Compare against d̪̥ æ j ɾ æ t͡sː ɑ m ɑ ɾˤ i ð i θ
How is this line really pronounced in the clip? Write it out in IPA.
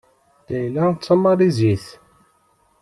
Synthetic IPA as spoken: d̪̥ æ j l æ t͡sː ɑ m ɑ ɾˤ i z i θ